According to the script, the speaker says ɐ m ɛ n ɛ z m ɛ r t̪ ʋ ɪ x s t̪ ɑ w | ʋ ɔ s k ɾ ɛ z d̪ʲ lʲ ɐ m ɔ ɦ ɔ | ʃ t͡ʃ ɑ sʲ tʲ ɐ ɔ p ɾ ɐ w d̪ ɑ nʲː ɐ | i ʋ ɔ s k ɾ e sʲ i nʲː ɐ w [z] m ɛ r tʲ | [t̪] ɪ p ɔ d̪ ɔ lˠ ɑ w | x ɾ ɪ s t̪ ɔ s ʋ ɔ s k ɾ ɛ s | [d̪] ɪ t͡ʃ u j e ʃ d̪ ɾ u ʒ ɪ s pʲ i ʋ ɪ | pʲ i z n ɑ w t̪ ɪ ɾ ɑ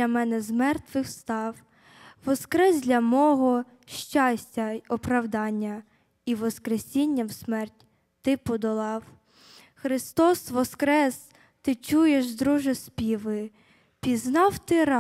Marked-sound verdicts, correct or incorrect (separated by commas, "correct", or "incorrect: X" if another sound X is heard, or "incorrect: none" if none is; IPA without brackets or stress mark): incorrect: s, correct, incorrect: t̪